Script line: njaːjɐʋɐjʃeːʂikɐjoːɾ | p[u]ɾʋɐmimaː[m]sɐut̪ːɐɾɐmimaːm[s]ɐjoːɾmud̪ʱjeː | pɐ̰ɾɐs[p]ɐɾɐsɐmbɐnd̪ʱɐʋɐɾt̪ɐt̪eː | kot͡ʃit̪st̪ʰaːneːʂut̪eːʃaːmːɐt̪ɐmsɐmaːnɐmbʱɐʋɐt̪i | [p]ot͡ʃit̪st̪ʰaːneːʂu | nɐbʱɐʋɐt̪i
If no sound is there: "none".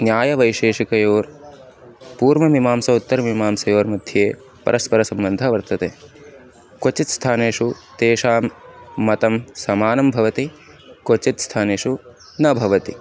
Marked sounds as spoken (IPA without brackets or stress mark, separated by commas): uː, m, s, p, k